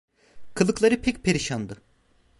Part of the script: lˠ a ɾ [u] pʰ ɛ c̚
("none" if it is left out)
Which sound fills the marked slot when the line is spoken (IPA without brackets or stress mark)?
ɯ